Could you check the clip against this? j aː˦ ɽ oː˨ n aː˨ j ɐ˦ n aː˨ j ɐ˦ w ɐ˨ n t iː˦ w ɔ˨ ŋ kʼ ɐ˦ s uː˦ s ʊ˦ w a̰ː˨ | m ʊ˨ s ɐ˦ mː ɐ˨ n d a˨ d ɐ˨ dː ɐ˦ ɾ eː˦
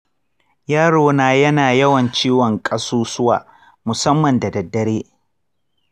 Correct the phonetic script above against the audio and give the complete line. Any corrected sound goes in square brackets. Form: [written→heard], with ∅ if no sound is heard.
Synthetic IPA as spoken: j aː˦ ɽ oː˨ n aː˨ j ɐ˦ n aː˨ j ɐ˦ w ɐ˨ n [t→t͡ʃ] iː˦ w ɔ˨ ŋ kʼ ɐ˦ s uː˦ s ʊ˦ w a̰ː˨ | m ʊ˨ s ɐ˦ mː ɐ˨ n d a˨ d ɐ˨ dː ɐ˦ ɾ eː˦